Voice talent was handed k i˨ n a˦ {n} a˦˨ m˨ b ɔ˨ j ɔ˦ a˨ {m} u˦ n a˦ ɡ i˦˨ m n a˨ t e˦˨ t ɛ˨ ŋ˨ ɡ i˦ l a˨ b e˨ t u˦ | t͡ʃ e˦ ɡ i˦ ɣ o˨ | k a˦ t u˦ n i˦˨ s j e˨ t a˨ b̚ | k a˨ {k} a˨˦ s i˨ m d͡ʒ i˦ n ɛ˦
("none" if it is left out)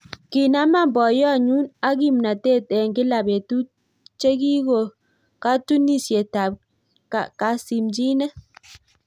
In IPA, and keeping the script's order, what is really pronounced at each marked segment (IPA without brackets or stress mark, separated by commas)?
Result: m, ɲ, k